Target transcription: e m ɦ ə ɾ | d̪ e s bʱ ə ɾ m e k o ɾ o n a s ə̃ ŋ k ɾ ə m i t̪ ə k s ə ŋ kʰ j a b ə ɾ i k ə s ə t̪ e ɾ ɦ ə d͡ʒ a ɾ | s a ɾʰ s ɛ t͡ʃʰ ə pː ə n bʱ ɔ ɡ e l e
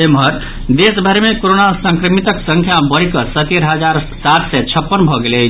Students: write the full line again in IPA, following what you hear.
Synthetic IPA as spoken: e m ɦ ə ɾ | d̪ e s bʱ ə ɾ m e k o ɾ o n a s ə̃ ŋ k ɾ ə m i t̪ ə k s ə ŋ kʰ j a b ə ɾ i k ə s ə t̪ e ɾ ɦ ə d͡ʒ a ɾ | s a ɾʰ s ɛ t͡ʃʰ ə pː ə n bʱ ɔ ɡ e l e

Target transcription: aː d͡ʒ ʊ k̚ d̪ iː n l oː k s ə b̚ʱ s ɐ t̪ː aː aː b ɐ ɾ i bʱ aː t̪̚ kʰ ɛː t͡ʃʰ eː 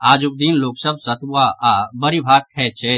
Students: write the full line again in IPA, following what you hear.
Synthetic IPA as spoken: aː d͡ʒ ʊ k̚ d̪ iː n l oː k s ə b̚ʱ s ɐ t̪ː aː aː b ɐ ɾ i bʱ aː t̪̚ kʰ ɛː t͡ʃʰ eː

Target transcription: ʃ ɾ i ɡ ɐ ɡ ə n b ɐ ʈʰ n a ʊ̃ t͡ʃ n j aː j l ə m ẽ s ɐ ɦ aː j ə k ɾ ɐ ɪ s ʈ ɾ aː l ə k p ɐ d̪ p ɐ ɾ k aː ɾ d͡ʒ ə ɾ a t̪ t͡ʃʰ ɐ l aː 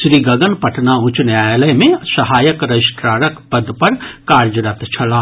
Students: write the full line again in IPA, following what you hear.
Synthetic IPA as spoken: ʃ ɾ i ɡ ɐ ɡ ə n p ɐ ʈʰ n a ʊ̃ t͡ʃ n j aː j l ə m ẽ s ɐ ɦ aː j ə k ɾ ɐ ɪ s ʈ ɾ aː ɾ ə k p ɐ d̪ p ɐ ɾ k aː ɾ d͡ʒ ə ɾ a t̪ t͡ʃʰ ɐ l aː

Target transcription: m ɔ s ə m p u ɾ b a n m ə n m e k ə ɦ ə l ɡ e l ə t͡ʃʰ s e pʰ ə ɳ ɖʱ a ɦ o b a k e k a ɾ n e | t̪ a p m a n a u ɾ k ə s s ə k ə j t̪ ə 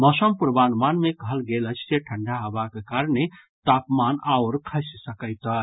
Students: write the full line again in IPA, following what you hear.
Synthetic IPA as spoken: m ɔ s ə m p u ɾ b a n m a n m e k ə ɦ ə l ɡ e l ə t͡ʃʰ s e ʈʰ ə ɳ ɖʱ a ɦ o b a k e k a ɾ n e | t̪ a p m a n a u ɾ kʰ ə s s ə k ə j t̪ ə

